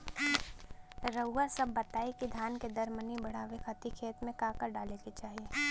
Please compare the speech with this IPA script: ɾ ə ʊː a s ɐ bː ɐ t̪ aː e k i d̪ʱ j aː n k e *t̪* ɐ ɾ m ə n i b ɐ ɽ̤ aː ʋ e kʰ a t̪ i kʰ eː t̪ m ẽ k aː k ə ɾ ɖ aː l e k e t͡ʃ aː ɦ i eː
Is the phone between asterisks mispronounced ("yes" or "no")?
yes